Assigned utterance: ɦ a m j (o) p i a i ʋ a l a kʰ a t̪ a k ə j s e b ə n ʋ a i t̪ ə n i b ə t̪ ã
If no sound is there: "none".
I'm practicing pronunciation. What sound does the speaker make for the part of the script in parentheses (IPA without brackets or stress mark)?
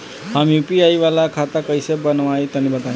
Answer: u